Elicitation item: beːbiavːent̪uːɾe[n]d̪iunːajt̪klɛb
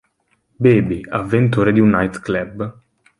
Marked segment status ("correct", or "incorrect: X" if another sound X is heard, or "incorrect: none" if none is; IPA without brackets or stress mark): incorrect: none